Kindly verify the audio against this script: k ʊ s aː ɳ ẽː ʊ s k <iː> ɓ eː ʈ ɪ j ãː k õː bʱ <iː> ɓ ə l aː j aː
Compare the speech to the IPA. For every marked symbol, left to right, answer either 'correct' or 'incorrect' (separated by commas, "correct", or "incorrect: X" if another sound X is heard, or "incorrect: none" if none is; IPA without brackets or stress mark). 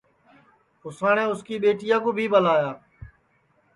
correct, correct